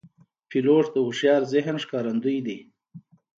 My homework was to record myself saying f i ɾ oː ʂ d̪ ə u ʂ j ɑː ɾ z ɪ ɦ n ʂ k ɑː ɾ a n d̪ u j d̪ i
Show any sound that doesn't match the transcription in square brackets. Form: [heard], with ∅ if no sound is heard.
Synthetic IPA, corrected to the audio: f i [l] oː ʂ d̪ ə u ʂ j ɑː ɾ z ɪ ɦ n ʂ k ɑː ɾ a n d̪ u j d̪ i